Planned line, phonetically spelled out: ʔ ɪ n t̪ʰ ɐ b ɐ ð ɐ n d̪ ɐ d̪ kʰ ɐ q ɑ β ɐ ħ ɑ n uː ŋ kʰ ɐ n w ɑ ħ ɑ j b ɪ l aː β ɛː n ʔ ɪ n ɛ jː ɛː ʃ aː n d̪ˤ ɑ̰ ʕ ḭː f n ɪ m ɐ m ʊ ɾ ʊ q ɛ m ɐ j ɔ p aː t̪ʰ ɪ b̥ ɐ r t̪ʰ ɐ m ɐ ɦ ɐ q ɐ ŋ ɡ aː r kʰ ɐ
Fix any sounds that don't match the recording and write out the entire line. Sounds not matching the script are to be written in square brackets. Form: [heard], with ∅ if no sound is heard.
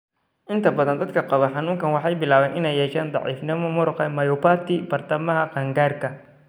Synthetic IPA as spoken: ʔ ɪ n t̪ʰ ɐ b ɐ ð ɐ n d̪ ɐ d̪ kʰ ɐ q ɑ β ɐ ħ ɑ n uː ŋ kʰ ɐ n w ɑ ħ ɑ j b ɪ l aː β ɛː n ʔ ɪ n ɛ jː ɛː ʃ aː n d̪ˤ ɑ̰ ʕ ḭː f n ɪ m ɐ m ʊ ɾ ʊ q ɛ m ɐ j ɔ p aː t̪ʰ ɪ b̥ ɐ r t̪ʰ ɐ m ɐ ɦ ɐ q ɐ ŋ ɡ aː r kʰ ɐ